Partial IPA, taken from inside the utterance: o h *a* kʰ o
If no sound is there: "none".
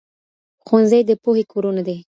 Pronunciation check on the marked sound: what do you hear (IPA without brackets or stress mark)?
e